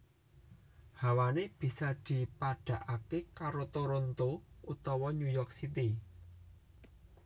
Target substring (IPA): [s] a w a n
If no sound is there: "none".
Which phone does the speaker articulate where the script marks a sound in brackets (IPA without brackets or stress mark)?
h